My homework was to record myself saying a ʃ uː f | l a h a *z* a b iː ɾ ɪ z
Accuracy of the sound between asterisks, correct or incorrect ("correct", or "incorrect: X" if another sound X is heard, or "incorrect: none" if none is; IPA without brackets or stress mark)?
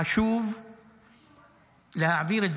incorrect: ʕ